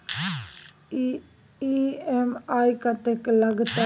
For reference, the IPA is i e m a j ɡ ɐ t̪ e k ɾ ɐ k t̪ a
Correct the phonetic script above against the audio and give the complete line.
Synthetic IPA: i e m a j k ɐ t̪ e k l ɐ ɡ t̪ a